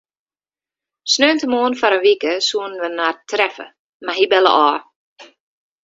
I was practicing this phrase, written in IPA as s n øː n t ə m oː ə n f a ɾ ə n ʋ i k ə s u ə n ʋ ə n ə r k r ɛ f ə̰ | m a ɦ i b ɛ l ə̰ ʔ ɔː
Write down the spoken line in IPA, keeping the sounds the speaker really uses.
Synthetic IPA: s n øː n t ə m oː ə n f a ɾ ə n ʋ i k ə s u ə n ʋ ə n a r t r ɛ f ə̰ | m a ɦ i b ɛ l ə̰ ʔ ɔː